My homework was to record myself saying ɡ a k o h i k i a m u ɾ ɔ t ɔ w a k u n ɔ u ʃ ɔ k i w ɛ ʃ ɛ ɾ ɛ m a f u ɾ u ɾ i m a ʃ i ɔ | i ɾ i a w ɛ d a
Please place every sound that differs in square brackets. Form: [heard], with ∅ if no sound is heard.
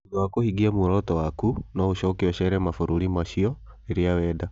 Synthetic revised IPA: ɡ a k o h i [ɡ] i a m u ɾ ɔ t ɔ w a k u n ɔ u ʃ ɔ k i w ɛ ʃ ɛ ɾ ɛ m a f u ɾ u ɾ i m a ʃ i ɔ | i ɾ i a w ɛ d a